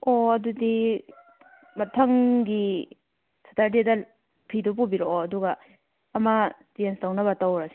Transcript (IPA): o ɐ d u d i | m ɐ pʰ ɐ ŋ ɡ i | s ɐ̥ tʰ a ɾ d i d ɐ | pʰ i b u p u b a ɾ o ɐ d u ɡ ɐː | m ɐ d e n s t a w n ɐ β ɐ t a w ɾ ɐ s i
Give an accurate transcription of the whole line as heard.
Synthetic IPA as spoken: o ɐ d u d i | m ɐ tʰ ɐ ŋ ɡ i | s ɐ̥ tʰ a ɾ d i d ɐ | pʰ i d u p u b i ɾ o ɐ d u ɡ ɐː | m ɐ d e n s t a w n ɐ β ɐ t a w ɾ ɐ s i